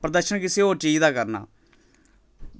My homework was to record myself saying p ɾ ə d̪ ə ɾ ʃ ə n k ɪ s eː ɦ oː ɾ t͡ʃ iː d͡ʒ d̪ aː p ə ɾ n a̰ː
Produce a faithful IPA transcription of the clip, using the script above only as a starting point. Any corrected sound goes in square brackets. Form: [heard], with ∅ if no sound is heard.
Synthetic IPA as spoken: p ɾ ə d̪ ə ɾ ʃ ə n k ɪ s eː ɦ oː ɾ t͡ʃ iː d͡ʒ d̪ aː [k] ə ɾ n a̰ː

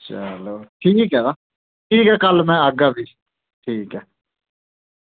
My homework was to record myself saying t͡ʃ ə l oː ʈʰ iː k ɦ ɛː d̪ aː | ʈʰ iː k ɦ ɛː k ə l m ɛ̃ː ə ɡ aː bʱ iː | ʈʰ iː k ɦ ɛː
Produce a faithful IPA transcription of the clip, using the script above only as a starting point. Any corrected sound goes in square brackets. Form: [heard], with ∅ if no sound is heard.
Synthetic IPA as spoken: t͡ʃ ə l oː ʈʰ iː k ɦ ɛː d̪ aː | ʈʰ iː k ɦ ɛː k ə l m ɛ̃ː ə ɡ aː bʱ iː | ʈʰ iː k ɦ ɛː

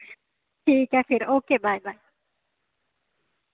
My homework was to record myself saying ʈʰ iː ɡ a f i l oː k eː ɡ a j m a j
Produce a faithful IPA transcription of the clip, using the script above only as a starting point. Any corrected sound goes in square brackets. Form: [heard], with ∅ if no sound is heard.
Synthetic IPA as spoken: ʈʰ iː [k] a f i [ɾ] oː k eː [b] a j [b] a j

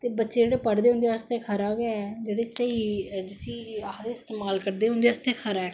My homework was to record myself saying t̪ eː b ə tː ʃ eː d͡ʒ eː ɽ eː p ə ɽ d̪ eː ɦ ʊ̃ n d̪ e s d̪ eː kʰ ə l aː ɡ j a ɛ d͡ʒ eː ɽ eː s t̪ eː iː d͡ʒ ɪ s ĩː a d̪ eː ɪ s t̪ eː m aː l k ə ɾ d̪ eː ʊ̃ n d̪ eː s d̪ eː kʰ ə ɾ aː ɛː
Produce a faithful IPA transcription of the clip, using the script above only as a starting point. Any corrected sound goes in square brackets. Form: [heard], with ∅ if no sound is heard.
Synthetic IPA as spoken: t̪ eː b ə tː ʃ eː d͡ʒ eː ɽ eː p ə ɽ d̪ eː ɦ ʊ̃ n d̪ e s [t̪] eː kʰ ə [ɾ] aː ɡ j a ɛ d͡ʒ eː ɽ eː s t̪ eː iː d͡ʒ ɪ s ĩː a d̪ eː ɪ s t̪ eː m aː l k ə ɾ d̪ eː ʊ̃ n d̪ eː s [t̪] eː kʰ ə ɾ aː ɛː

